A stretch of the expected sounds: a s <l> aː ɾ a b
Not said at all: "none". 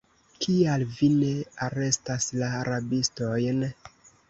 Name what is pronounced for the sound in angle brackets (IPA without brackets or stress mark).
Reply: l